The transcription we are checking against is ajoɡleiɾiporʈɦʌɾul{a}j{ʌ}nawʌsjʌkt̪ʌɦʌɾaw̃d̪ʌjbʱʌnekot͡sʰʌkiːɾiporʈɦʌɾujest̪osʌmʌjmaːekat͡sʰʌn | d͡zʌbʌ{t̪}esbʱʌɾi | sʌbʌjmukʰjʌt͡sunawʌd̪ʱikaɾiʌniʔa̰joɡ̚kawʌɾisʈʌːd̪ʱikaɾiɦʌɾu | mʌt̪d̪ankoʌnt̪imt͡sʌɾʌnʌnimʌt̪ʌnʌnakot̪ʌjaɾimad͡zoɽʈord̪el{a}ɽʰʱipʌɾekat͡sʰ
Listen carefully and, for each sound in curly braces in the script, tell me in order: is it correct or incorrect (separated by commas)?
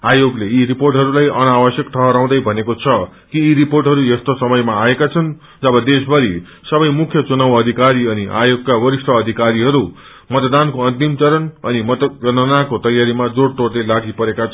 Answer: correct, correct, incorrect, correct